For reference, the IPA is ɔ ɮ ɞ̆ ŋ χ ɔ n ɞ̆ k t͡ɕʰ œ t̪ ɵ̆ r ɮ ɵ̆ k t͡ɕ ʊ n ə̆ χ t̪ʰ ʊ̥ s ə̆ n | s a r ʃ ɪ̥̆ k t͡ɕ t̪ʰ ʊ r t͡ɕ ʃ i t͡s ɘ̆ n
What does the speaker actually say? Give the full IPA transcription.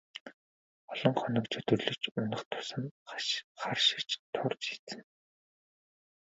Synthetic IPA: ɔ ɮ ɞ̆ ŋ χ ɔ n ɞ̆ k t͡ɕʰ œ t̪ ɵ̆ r ɮ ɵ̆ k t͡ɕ ʊ n ə̆ χ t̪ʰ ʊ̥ s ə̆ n | χ a r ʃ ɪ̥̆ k t͡ɕ t̪ʰ ʊ r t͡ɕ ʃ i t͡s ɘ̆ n